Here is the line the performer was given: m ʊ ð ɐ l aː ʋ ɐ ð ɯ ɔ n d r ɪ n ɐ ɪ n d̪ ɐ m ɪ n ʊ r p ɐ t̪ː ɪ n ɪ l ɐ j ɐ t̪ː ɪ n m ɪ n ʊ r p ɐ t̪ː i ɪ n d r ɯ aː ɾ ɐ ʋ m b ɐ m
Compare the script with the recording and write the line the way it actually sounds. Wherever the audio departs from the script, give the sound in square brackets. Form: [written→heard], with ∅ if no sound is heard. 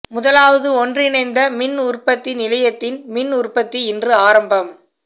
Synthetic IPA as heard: m ʊ ð ɐ l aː ʋ ɐ ð ɯ ɔ n d r ɪ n ɐ ɪ n d̪ ɐ m ɪ n ʊ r p ɐ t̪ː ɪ n ɪ l ɐ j ɐ t̪ː ɪ n m ɪ n ʊ r p ɐ t̪ː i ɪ n d r ɯ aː ɾ ɐ [ʋ→∅] m b ɐ m